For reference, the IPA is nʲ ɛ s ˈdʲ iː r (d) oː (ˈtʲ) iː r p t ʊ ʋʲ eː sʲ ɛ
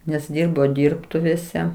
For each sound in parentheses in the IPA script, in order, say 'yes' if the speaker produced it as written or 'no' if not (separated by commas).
no, no